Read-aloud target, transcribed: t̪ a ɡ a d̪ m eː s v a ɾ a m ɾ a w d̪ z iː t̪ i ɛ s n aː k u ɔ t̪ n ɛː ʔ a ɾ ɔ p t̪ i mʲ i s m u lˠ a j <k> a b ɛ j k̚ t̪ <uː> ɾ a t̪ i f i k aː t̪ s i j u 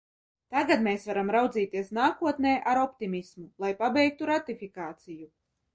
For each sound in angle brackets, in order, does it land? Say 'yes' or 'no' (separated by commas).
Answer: no, no